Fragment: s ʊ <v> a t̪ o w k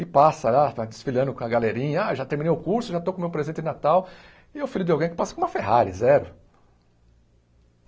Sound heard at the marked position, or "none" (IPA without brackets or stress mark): ʒ